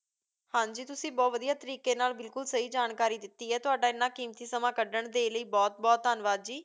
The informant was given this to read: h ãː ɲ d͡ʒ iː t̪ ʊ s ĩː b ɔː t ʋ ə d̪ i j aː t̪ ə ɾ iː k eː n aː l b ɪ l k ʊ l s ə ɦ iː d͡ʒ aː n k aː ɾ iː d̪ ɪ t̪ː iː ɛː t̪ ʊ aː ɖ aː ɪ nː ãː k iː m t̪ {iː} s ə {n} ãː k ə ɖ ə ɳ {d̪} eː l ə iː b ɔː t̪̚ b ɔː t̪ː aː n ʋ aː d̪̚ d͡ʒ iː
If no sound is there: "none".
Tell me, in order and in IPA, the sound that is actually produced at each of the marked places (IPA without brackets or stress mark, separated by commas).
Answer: iː, m, d̪